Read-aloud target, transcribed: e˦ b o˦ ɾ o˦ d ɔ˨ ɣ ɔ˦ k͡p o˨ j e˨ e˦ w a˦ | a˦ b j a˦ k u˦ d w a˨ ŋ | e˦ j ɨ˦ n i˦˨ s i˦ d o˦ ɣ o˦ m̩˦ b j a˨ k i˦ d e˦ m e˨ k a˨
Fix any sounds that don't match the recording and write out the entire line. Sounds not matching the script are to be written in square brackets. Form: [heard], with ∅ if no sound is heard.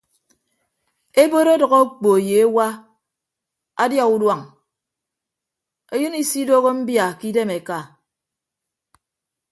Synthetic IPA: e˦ b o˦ ɾ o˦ d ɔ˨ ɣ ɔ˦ k͡p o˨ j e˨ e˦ w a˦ | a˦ [d] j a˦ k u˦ d w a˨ ŋ | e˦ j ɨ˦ n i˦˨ s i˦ d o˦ ɣ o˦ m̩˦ b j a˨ k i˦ d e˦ m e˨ k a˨